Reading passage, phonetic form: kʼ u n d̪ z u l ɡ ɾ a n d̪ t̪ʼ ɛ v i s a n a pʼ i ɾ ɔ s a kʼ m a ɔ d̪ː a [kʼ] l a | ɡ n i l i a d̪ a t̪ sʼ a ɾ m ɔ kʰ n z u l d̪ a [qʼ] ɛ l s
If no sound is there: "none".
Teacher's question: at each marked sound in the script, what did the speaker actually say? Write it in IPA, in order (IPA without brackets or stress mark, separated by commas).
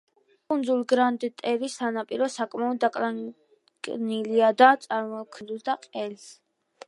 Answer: kʼ, qʼ